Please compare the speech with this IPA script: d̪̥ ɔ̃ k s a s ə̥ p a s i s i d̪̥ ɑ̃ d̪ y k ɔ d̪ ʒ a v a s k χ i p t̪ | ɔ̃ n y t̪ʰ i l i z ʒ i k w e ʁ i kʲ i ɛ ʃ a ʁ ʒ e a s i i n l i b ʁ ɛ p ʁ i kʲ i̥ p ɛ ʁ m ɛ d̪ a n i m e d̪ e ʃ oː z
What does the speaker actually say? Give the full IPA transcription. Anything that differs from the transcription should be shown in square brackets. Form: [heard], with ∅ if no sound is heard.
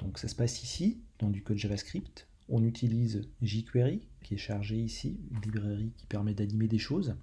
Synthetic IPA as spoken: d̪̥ ɔ̃ k s a s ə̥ p a s i s i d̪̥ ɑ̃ d̪ y k ɔ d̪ ʒ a v a s k χ i p t̪ | ɔ̃ n y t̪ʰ i l i z ʒ i k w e ʁ i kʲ i ɛ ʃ a ʁ ʒ e [i] s i [y] n l i b ʁ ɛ [∅] ʁ i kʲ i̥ p ɛ ʁ m ɛ d̪ a n i m e d̪ e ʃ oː z

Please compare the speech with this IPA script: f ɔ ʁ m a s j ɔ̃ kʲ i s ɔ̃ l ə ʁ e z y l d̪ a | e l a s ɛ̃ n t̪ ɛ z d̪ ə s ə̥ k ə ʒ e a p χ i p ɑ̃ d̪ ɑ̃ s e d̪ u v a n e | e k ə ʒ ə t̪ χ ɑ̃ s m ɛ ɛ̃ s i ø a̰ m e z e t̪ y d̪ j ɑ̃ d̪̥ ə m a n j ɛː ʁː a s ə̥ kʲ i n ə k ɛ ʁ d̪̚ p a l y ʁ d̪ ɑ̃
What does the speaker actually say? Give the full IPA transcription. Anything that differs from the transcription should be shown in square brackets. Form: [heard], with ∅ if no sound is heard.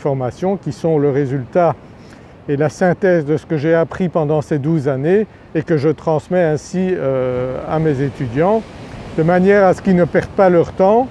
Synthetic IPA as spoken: f ɔ ʁ m a s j ɔ̃ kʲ i s ɔ̃ l ə ʁ e z y l [t̪] a | e l a s ɛ̃ [∅] t̪ ɛ z d̪ ə s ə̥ k ə ʒ e a p χ i p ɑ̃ d̪ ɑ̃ s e d̪ u [z] a n e | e k ə ʒ ə t̪ χ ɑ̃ s m ɛ ɛ̃ s i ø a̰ m e z e t̪ y d̪ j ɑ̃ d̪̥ ə m a n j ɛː [ʁ] a s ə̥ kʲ i n ə [p] ɛ ʁ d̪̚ p a l [œ] ʁ [t̪] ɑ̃

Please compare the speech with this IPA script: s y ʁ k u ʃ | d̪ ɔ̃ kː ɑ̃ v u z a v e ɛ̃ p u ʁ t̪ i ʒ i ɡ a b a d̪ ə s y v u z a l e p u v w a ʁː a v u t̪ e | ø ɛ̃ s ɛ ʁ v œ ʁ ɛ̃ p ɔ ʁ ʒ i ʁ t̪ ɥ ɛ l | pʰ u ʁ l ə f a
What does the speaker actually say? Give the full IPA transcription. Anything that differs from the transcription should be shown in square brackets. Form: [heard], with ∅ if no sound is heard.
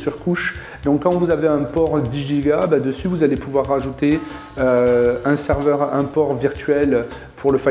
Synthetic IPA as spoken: s y ʁ k u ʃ | d̪ ɔ̃ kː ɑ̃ v u z a v e ɛ̃ p [ɔ] ʁ [d̪] i ʒ i ɡ a b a d̪ ə s y v u z a l e p u v w a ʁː a [ʒ] u t̪ e | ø ɛ̃ s ɛ ʁ v œ ʁ ɛ̃ p ɔ ʁ [v] i ʁ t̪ ɥ ɛ l | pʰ u ʁ l ə f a

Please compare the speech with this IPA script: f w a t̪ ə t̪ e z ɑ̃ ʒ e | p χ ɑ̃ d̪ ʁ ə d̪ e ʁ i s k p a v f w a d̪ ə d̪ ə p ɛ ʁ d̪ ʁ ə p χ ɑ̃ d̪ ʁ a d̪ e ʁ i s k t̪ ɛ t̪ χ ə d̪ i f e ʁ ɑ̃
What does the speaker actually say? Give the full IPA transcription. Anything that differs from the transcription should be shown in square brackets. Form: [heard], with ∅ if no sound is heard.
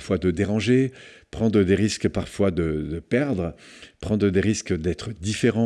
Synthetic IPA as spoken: f w a [d̪] ə [d̪] e [ʁ] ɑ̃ ʒ e | p χ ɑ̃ d̪ ʁ ə d̪ e ʁ i s k p a [ʁ] f w a d̪ ə d̪ ə p ɛ ʁ d̪ ʁ ə p χ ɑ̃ d̪ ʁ [ə] d̪ e ʁ i s k [d̪] ɛ t̪ χ ə d̪ i f e ʁ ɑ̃

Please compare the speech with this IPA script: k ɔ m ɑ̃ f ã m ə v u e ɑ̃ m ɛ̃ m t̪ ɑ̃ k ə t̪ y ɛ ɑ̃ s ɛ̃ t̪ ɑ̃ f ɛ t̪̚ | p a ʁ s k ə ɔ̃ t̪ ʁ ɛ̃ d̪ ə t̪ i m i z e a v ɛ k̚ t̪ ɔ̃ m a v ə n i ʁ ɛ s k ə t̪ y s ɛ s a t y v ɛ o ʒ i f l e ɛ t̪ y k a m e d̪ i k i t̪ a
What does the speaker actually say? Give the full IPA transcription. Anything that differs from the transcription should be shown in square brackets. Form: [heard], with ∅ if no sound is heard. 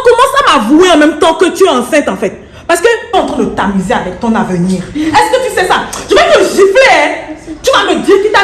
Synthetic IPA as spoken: k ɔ m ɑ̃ [s] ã m [a] v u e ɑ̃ m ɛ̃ m t̪ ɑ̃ k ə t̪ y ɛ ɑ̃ s ɛ̃ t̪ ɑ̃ f ɛ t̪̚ | p a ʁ s k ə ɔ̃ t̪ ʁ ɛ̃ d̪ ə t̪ [a] m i z e a v ɛ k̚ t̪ ɔ̃ [n] a v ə n i ʁ ɛ s k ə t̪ y s ɛ s a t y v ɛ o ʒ i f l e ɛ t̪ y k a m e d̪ i k i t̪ a

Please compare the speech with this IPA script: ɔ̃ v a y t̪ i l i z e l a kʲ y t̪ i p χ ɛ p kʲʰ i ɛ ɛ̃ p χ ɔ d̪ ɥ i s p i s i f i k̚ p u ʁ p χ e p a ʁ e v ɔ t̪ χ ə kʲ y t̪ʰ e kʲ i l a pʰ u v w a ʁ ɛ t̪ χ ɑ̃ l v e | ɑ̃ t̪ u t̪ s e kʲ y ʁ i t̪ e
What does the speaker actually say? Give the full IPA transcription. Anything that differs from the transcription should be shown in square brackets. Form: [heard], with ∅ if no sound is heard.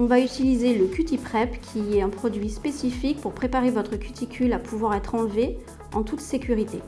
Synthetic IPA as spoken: ɔ̃ v a y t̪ i l i z e l [ə] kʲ y t̪ i p χ ɛ p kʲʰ i ɛ ɛ̃ p χ ɔ d̪ ɥ i s p [e] s i f i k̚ p u ʁ p χ e p a ʁ e v ɔ t̪ χ ə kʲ y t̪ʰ [i] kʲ [y] l a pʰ u v w a ʁ ɛ t̪ χ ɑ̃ l v e | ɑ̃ t̪ u t̪ s e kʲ y ʁ i t̪ e

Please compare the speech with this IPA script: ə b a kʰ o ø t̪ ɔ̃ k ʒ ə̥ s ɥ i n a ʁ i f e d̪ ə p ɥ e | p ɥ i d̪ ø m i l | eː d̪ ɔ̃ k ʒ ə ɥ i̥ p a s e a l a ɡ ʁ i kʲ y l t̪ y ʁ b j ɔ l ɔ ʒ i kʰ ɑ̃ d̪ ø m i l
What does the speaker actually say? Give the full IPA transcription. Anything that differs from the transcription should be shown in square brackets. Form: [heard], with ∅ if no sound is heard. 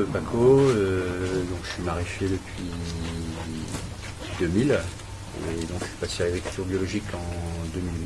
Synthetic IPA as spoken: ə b a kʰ o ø [d̪] ɔ̃ k ʒ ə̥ s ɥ i [m] a ʁ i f e d̪ ə p ɥ [i] | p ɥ i d̪ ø m i l | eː d̪ ɔ̃ k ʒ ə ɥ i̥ p a s e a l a ɡ ʁ i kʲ y l t̪ y ʁ b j ɔ l ɔ ʒ i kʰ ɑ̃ d̪ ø m i l

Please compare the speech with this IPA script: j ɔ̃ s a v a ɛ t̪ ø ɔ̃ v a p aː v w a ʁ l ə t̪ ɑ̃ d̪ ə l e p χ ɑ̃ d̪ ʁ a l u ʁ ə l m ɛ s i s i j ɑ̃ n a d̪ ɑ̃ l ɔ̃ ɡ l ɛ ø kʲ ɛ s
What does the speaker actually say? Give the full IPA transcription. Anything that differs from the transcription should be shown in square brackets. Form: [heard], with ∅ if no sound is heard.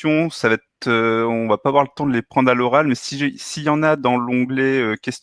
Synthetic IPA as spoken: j ɔ̃ s a v a ɛ t̪ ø ɔ̃ v a p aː v w a ʁ l ə t̪ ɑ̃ d̪ ə l e p χ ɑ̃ d̪ ʁ a l [ɔ] ʁ [a] l m ɛ s i s i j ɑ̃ n a d̪ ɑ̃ l ɔ̃ ɡ l ɛ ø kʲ ɛ s

